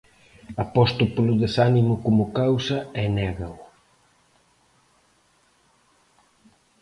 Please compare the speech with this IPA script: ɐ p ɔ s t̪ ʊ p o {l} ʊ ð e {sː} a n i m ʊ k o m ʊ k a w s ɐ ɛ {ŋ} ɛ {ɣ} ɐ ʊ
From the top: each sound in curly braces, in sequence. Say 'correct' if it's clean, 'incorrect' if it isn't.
correct, incorrect: s, incorrect: n, correct

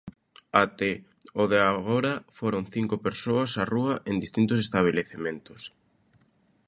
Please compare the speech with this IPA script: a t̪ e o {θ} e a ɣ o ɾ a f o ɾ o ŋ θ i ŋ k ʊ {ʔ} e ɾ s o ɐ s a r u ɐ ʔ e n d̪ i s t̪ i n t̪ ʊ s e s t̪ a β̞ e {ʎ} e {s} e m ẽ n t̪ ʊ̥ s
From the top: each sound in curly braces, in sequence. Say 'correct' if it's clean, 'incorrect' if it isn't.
incorrect: ð, incorrect: p, incorrect: l, incorrect: θ

